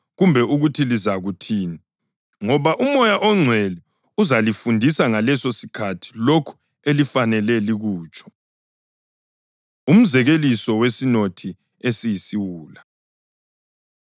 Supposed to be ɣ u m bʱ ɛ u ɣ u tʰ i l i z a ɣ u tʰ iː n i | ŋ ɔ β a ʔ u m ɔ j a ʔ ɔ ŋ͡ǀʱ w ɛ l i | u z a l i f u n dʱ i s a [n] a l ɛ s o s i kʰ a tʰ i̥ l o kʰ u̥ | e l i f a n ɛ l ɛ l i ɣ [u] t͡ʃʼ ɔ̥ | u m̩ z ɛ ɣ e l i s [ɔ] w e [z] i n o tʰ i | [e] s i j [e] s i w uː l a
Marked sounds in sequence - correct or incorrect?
incorrect: ŋ, incorrect: uː, correct, incorrect: s, correct, incorrect: i

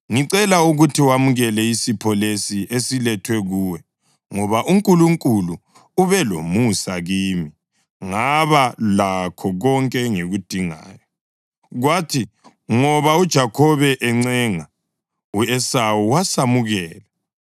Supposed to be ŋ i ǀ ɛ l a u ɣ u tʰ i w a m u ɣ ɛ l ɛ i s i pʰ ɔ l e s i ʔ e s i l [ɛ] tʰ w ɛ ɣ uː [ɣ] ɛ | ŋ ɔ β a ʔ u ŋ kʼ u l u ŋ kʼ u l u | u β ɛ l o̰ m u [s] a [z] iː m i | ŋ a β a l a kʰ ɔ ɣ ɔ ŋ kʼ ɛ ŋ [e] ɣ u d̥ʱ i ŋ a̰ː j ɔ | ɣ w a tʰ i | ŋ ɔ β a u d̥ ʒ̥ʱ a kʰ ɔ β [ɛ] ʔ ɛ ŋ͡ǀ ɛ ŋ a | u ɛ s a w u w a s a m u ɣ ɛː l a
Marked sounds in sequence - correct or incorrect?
correct, incorrect: w, correct, incorrect: ɣ, correct, correct

